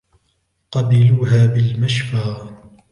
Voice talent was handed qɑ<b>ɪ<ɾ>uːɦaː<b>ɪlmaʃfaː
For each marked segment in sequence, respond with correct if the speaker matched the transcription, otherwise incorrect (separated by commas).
correct, incorrect, correct